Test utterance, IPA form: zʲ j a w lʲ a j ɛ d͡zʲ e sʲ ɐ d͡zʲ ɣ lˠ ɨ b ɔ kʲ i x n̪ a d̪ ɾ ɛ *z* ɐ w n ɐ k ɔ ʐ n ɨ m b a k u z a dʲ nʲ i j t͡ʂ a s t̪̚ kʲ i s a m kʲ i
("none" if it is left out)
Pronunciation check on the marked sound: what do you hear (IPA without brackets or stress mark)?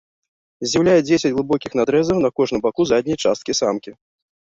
z